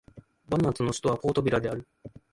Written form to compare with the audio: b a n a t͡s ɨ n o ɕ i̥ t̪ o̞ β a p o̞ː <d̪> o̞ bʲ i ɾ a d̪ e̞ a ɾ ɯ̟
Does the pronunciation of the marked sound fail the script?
yes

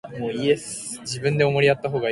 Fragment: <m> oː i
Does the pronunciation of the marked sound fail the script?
no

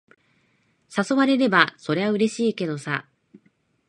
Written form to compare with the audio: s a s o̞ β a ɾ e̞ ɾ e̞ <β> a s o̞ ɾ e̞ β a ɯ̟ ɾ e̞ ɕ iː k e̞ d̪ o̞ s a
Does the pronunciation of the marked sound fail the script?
yes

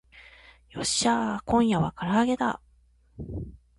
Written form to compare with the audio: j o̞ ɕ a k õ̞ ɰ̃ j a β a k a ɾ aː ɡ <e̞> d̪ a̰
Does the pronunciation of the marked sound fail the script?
no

